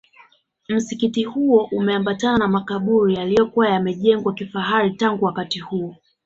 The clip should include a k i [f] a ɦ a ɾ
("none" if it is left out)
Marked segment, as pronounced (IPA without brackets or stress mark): f